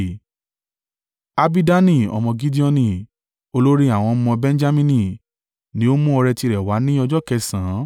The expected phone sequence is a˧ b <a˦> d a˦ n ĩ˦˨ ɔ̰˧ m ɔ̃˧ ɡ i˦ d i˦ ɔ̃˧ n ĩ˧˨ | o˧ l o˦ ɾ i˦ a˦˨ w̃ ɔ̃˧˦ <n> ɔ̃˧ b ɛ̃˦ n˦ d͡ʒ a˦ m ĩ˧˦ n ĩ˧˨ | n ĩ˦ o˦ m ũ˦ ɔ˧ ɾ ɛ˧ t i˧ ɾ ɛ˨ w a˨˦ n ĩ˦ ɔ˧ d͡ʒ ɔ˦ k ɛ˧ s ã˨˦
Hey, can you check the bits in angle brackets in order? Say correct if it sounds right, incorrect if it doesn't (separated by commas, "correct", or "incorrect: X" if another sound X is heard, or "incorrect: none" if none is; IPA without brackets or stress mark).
incorrect: i˦, incorrect: m